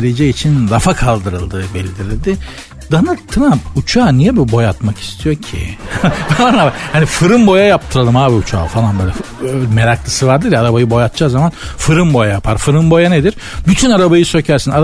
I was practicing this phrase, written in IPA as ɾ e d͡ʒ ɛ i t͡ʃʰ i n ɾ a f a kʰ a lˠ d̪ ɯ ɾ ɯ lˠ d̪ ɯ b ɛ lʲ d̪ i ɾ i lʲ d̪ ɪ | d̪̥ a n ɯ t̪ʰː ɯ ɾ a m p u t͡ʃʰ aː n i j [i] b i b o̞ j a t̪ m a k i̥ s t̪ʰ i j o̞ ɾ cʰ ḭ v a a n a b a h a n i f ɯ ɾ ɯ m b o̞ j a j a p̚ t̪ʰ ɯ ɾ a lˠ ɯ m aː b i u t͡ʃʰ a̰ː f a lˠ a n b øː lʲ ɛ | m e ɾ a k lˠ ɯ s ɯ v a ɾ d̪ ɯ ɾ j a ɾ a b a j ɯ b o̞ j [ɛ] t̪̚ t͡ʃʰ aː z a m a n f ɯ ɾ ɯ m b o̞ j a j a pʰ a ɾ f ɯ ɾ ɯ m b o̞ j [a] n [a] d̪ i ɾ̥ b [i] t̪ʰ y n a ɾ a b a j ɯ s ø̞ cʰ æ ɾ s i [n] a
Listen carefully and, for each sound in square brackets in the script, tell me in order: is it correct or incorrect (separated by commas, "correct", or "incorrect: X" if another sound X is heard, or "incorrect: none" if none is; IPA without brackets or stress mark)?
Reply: incorrect: ɛ, incorrect: a, correct, incorrect: e, incorrect: y, correct